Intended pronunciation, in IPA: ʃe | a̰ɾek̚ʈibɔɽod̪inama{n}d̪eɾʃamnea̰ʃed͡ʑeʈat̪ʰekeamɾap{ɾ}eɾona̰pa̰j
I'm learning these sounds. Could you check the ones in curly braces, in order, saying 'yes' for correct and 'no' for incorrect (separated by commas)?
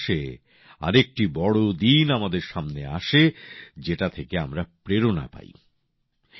no, yes